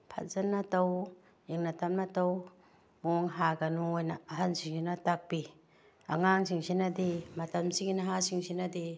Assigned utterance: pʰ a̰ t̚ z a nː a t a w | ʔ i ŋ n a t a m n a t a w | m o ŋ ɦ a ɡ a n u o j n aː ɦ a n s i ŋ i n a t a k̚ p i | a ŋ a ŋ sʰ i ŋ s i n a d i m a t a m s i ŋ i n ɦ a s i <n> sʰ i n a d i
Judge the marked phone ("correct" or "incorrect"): incorrect